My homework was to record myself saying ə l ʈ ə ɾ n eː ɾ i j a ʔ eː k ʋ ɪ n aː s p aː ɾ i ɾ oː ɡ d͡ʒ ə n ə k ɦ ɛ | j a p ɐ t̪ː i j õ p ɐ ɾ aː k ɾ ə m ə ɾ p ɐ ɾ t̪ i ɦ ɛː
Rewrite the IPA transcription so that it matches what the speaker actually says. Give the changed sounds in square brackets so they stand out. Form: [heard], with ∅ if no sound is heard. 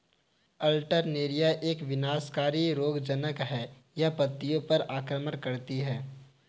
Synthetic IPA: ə l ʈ ə ɾ n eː ɾ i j a ʔ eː k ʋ ɪ n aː s [k] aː ɾ i ɾ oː ɡ d͡ʒ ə n ə k ɦ ɛ | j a p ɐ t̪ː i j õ p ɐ ɾ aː k ɾ ə m ə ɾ [k] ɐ ɾ t̪ i ɦ ɛː